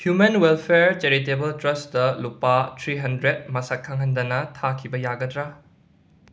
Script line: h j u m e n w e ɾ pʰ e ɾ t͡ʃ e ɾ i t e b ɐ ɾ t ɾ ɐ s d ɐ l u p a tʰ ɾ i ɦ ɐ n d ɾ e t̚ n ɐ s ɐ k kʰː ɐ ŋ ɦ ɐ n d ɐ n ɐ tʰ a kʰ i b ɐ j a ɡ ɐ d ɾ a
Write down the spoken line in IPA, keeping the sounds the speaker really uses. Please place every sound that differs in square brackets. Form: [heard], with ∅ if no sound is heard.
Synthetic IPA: h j u m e n w e [l] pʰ e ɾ t͡ʃ e ɾ i t e b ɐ [l] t ɾ ɐ s d ɐ l u p a tʰ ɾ i ɦ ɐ n d ɾ e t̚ [m] ɐ s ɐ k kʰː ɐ ŋ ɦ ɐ n d ɐ n ɐ tʰ a kʰ i b ɐ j a ɡ ɐ d ɾ a